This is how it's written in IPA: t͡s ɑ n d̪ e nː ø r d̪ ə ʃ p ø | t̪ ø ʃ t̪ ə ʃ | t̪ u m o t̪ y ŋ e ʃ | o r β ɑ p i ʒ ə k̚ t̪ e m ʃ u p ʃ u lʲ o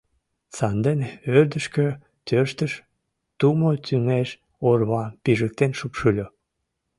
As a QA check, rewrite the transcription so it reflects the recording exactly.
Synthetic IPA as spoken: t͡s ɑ n d̪ e n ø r d̪ ə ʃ k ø | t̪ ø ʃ t̪ ə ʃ | t̪ u m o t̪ y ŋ e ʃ | o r β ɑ p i ʒ ə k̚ t̪ e n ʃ u p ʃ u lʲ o